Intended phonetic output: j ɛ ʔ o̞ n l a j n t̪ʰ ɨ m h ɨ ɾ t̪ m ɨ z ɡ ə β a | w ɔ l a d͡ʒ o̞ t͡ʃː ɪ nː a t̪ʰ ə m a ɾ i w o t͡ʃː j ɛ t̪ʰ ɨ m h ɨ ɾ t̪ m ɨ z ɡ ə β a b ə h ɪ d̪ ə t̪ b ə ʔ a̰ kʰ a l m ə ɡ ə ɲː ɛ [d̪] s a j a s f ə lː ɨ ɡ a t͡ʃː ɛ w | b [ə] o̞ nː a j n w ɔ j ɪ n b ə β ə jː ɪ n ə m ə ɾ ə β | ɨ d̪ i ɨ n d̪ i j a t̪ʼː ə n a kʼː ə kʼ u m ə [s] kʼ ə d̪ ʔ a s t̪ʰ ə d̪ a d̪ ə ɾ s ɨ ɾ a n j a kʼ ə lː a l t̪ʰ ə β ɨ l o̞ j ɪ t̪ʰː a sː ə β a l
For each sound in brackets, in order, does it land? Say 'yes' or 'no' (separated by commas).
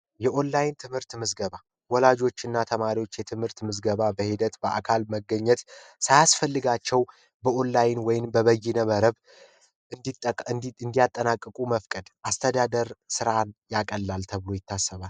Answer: no, yes, no